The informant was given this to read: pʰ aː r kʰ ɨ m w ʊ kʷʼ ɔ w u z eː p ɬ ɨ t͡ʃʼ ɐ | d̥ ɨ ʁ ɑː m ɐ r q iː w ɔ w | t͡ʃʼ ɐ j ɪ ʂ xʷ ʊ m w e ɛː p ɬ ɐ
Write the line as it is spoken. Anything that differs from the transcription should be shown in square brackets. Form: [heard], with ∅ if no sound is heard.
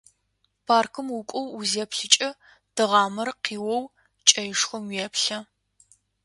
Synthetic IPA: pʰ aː r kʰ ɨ m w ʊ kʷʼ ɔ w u z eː p ɬ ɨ t͡ʃʼ ɐ | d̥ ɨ ʁ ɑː m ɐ r q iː w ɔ w | t͡ʃʼ ɐ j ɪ ʂ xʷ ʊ m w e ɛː p ɬ ɐ